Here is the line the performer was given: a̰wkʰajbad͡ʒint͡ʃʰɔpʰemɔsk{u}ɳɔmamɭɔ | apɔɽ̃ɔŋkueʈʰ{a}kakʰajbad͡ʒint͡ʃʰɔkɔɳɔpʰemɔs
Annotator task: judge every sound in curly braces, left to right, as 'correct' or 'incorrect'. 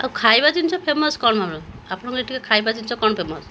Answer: incorrect: ɔ, incorrect: i

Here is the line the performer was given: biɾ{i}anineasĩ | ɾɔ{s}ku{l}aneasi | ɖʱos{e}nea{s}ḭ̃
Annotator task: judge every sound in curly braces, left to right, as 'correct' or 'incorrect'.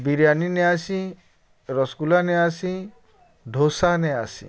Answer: incorrect: j, correct, correct, incorrect: a, correct

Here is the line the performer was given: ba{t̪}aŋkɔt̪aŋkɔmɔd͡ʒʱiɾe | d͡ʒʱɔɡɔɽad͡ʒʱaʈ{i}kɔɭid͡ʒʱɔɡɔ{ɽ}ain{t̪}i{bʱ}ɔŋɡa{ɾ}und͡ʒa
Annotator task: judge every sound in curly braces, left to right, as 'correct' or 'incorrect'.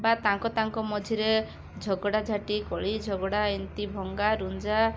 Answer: correct, correct, correct, correct, correct, correct

